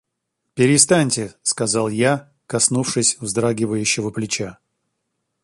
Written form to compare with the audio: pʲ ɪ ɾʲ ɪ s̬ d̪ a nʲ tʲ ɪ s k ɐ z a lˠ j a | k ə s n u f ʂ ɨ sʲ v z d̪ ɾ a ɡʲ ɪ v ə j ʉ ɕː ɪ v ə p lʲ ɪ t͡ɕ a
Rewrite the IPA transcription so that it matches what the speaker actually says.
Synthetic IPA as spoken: pʲ ɪ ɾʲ ɪ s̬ t̪ a nʲ tʲ ɪ s k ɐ z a lˠ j a | k ɐ s n u f ʂ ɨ sʲ v z d̪ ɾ a ɡʲ ɪ v ə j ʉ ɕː ɪ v ə p lʲ ɪ t͡ɕ a